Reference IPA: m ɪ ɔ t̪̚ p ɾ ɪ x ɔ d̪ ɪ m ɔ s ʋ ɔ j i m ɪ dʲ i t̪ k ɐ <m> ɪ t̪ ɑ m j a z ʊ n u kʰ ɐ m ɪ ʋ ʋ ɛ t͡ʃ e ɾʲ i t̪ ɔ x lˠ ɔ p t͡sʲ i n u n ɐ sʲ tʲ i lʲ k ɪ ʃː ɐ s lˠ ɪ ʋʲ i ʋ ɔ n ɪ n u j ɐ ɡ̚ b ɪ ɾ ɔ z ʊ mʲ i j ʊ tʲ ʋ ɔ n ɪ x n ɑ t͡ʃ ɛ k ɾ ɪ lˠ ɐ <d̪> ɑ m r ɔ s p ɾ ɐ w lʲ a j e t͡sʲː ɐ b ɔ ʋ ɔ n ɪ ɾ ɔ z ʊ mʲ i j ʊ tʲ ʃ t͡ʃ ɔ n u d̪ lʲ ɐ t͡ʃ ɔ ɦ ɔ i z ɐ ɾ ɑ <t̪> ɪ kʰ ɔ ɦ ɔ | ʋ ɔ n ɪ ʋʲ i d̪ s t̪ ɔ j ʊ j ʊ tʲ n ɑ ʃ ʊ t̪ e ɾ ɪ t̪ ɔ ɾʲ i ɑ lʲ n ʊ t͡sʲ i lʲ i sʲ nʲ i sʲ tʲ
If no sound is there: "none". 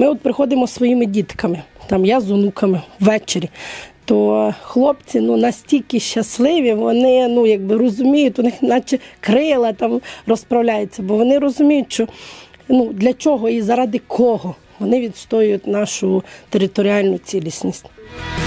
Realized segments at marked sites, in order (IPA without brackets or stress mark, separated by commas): m, t̪, d̪